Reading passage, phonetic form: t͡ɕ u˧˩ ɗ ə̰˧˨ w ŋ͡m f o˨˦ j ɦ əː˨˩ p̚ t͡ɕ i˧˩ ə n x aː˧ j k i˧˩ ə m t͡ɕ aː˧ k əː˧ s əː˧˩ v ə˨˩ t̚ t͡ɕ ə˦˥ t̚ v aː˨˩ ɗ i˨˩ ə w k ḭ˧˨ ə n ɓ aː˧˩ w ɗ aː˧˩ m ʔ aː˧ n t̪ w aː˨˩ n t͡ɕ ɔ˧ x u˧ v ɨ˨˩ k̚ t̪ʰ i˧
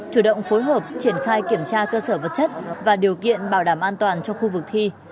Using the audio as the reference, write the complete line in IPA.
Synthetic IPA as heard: t͡ɕ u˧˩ ɗ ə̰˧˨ w ŋ͡m f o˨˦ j ɦ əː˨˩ p̚ t͡ɕ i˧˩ ə n x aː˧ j k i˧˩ ə m t͡ɕ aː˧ k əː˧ s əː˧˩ v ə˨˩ t̚ t͡ɕ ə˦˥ t̚ v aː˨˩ ɗ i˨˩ ə w k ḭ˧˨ ə n ɓ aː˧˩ w ɗ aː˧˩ m ʔ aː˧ n t̪ w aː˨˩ n t͡ɕ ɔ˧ x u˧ v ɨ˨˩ k̚ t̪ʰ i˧